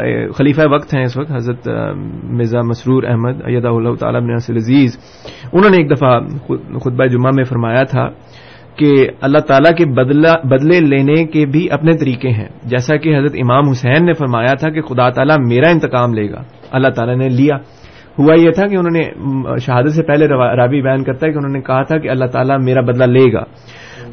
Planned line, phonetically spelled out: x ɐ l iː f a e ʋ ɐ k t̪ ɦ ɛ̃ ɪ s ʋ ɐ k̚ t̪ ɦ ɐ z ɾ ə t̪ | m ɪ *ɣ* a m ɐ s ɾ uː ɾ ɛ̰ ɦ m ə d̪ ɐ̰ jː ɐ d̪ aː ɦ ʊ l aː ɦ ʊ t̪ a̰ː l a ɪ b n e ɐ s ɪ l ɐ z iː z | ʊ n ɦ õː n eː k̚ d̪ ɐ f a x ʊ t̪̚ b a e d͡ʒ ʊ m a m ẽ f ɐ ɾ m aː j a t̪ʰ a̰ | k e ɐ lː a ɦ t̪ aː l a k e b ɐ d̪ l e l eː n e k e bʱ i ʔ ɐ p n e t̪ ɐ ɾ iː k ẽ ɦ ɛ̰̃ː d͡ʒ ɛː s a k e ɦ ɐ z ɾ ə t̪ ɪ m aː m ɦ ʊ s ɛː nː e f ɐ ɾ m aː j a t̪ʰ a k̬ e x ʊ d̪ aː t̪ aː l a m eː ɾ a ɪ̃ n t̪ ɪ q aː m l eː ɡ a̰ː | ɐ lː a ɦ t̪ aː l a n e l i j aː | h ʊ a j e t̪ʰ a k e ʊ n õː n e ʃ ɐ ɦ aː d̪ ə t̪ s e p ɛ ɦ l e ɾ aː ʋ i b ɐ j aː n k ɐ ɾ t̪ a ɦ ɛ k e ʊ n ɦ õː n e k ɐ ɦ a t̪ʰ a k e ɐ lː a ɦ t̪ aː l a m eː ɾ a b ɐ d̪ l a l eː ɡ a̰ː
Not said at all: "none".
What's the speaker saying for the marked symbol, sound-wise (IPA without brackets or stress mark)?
z